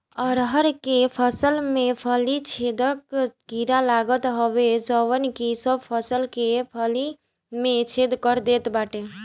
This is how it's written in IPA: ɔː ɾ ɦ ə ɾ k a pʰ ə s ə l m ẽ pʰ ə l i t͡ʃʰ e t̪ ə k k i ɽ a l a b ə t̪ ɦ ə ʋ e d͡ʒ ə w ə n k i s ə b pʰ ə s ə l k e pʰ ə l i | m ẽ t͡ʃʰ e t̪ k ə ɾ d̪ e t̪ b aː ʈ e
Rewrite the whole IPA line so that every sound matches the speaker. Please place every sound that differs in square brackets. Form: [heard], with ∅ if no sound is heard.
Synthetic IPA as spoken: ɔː ɾ ɦ ə ɾ k [e] pʰ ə s ə l m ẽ pʰ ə l i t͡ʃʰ e [d̪] ə k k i [ɾ] a l a [ɡ] ə t̪ ɦ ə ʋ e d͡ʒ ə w ə n k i s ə b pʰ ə s ə l k e pʰ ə l i | m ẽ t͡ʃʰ e [d̪] k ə ɾ d̪ e t̪ b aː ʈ e